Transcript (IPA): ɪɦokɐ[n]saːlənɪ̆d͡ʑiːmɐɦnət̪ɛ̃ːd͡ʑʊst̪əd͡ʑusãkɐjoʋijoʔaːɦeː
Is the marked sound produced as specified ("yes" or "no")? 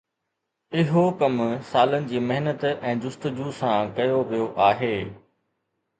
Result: no